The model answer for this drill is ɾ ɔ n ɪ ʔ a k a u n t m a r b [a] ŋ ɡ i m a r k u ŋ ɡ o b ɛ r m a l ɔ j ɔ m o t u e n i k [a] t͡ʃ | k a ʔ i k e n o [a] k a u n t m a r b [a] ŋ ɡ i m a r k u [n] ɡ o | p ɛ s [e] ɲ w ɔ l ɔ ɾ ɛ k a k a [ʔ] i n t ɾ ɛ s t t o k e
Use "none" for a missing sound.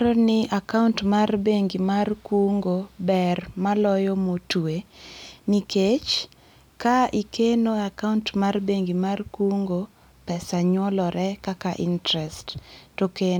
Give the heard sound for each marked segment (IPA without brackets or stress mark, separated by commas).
e, e, a, e, ŋ, a, ʔ